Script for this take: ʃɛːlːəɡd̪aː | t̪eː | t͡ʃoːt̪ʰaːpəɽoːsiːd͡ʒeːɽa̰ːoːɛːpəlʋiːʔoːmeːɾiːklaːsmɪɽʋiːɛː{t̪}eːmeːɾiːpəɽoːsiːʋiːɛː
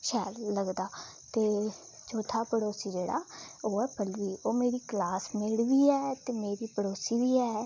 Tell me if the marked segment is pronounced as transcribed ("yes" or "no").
yes